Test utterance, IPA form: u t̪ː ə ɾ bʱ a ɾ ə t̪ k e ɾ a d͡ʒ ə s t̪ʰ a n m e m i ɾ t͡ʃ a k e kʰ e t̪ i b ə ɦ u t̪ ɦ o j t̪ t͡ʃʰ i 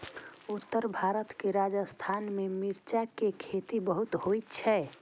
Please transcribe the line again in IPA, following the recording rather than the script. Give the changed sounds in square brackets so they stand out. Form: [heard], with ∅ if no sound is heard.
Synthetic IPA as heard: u t̪ː ə ɾ bʱ a ɾ ə t̪ k e ɾ a d͡ʒ ə s t̪ʰ a n m e m i ɾ t͡ʃ a k e kʰ e t̪ i b ə ɦ u t̪ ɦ o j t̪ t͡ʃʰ [ɛ]